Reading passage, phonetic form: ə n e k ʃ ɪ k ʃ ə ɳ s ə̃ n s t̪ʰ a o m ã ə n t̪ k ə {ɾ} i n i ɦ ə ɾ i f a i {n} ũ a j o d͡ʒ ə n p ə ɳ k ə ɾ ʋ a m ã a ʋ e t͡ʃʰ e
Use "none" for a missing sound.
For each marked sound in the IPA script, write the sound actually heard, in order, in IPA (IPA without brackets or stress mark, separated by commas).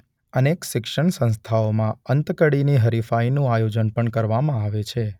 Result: ɽ, n